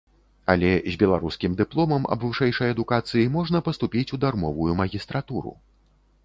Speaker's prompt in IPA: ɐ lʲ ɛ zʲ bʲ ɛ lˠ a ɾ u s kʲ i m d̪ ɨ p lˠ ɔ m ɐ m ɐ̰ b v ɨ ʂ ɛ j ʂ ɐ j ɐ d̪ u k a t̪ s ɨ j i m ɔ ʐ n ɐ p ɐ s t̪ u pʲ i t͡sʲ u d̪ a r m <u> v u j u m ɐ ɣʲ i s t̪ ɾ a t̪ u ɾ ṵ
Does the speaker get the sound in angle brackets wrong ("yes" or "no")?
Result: yes